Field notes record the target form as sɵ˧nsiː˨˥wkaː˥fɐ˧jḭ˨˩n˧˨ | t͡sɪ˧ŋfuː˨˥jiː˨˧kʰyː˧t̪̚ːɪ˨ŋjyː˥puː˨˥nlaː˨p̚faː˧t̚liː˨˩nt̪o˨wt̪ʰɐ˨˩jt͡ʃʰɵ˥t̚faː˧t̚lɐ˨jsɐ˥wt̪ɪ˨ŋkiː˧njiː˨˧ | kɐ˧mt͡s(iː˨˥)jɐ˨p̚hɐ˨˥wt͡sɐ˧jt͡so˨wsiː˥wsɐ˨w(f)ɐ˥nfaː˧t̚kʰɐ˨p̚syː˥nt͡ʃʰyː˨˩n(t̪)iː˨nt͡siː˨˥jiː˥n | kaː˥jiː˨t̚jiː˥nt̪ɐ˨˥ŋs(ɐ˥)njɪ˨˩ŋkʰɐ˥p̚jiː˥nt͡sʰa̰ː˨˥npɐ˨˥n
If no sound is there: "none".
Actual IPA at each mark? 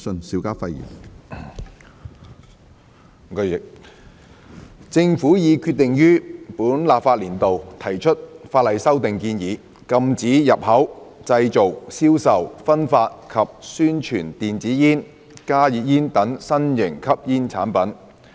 iː˨˥, f, t̪, ɐ˥

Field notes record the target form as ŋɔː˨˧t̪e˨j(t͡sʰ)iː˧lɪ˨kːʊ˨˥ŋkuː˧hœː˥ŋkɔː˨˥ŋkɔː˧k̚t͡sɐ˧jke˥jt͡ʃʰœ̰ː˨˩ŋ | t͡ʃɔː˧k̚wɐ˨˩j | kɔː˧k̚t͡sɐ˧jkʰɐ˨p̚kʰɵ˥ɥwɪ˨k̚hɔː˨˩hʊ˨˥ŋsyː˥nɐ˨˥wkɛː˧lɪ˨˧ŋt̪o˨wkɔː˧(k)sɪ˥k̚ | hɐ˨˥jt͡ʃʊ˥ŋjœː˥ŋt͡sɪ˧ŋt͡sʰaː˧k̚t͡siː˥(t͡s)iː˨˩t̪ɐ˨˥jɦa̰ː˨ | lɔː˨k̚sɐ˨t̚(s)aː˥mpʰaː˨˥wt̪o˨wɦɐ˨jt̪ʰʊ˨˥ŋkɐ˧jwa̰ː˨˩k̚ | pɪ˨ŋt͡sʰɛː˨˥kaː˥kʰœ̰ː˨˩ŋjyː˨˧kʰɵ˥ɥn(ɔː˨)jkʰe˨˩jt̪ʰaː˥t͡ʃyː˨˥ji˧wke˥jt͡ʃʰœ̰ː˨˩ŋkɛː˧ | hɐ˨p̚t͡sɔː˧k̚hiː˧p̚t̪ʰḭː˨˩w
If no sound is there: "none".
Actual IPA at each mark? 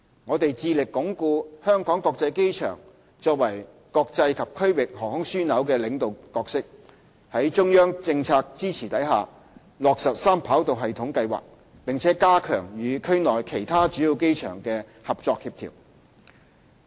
t͡s, k, t͡sʰ, s, ɔː˨

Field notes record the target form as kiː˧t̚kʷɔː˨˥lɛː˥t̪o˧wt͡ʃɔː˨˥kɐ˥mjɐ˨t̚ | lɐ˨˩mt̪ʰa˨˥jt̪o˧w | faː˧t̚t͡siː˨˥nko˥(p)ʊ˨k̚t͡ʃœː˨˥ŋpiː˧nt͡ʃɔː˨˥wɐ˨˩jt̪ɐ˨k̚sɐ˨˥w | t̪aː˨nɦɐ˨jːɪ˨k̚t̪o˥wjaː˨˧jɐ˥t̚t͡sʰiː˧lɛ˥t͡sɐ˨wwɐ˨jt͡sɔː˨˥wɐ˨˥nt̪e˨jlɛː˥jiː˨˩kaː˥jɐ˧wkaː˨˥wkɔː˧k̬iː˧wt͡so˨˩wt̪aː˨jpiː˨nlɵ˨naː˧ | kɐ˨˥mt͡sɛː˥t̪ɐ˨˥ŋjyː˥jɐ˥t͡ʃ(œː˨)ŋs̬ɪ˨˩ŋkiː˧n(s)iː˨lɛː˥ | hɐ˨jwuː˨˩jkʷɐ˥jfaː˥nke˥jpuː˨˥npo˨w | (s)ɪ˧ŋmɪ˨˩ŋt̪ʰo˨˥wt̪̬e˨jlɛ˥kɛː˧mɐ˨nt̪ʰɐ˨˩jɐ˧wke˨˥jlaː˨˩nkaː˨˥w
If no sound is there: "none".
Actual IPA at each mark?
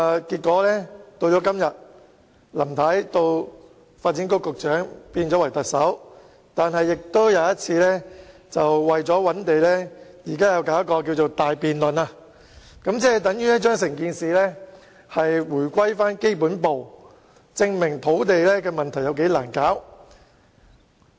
k, œː˥, s, t͡s

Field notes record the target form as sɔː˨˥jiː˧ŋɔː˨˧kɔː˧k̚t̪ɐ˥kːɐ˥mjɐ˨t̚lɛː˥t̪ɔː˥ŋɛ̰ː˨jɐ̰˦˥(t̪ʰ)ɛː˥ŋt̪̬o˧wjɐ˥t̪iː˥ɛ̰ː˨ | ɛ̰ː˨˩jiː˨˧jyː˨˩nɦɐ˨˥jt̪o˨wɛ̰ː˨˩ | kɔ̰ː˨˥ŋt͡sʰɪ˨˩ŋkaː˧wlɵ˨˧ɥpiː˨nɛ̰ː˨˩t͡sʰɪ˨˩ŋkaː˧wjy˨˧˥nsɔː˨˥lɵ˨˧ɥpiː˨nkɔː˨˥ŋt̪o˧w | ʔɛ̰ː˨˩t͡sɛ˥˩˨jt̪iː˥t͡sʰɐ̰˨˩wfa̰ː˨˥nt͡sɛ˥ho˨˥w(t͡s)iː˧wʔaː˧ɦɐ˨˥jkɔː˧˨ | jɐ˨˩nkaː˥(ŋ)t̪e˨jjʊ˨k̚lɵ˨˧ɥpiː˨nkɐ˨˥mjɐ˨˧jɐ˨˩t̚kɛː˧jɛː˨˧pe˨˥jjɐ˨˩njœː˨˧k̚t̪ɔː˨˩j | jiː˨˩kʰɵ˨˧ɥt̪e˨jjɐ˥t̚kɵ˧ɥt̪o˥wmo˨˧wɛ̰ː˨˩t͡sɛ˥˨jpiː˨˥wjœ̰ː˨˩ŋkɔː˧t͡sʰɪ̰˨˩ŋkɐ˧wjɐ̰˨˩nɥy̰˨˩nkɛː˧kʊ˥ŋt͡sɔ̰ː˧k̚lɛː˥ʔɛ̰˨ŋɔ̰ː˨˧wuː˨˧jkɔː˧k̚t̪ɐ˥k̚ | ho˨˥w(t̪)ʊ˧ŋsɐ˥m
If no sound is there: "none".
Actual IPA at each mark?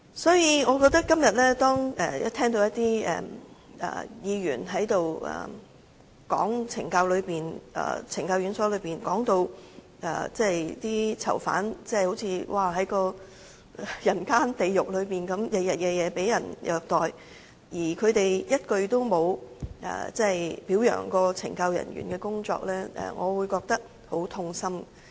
t̪ʰ, t͡sʰ, n, t̪ʰ

